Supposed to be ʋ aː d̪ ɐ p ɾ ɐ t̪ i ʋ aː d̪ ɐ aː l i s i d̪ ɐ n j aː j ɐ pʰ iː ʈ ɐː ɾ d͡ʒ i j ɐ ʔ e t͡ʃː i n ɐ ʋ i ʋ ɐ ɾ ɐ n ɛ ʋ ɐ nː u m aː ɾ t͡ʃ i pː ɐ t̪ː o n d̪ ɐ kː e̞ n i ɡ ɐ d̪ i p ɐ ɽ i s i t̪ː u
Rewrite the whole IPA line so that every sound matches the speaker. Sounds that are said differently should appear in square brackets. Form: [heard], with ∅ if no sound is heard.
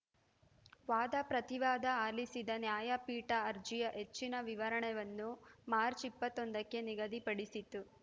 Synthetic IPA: ʋ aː d̪ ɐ p ɾ ɐ t̪ i ʋ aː d̪ ɐ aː l i s i d̪ ɐ n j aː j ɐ [p] iː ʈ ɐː ɾ d͡ʒ i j ɐ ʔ e t͡ʃː i n ɐ ʋ i ʋ ɐ ɾ ɐ [ɳ] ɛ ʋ ɐ nː u m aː ɾ t͡ʃ i pː ɐ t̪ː o n d̪ ɐ kː e̞ n i ɡ ɐ d̪ i p ɐ ɽ i s i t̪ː u

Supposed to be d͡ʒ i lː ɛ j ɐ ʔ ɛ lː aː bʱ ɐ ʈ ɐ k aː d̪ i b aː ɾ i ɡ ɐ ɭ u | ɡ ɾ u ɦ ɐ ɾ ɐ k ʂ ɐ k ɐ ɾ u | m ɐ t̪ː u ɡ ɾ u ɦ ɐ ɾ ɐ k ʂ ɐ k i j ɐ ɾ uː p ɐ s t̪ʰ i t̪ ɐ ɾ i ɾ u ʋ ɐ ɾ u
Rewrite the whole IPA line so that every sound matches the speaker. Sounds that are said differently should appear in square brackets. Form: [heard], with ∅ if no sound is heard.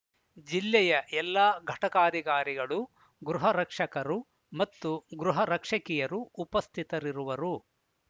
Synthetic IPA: d͡ʒ i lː ɛ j ɐ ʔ ɛ lː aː [ɡʱ] ɐ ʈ ɐ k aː d̪ i [ɡ] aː ɾ i ɡ ɐ ɭ u | ɡ ɾ u ɦ ɐ ɾ ɐ k ʂ ɐ k ɐ ɾ u | m ɐ t̪ː u ɡ ɾ u ɦ ɐ ɾ ɐ k ʂ ɐ k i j ɐ ɾ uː p ɐ s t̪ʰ i t̪ ɐ ɾ i ɾ u ʋ ɐ ɾ u

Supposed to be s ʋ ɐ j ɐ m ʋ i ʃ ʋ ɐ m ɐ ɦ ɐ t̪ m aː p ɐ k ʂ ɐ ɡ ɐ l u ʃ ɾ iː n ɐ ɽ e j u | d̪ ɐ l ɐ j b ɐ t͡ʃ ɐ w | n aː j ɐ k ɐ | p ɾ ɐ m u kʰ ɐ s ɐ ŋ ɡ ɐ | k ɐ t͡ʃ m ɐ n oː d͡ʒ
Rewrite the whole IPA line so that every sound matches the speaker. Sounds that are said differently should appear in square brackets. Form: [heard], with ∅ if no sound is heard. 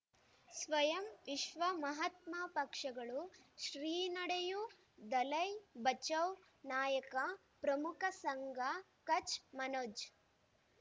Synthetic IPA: s ʋ ɐ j ɐ m ʋ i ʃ ʋ ɐ m ɐ ɦ ɐ t̪ m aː p ɐ k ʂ ɐ ɡ ɐ [ɭ] u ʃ ɾ iː n ɐ ɽ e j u | d̪ ɐ l ɐ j b ɐ t͡ʃ ɐ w | n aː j ɐ k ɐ | p ɾ ɐ m u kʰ ɐ s ɐ ŋ ɡ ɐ | k ɐ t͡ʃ m ɐ n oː d͡ʒ

